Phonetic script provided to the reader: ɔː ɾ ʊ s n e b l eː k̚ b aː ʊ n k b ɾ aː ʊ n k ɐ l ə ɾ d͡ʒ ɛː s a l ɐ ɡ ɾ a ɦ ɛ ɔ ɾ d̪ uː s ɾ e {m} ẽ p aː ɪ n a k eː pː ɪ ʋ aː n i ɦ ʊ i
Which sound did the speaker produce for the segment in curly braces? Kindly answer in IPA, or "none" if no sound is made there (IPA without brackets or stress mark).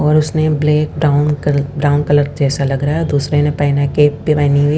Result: n